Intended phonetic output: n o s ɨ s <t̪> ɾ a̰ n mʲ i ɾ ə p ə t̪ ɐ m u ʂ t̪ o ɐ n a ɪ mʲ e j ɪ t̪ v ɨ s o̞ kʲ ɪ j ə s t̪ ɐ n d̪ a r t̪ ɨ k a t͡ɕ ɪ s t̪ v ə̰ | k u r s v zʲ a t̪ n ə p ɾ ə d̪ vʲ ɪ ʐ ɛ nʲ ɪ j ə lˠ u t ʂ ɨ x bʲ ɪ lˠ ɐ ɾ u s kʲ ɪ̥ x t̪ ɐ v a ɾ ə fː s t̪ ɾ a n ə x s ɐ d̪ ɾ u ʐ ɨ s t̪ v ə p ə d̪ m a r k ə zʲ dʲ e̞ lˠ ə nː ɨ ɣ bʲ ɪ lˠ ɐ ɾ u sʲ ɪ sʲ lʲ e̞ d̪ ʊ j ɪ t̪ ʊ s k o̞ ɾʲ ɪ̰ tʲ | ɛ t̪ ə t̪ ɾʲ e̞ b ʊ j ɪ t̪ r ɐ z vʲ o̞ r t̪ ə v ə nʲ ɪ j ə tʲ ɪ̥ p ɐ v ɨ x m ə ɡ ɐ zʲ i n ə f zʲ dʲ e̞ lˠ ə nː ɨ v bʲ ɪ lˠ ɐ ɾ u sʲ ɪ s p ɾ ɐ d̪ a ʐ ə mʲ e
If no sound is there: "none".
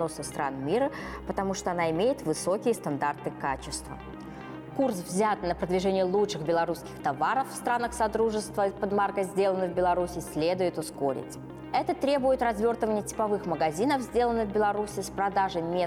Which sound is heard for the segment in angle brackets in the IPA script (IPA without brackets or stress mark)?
t̪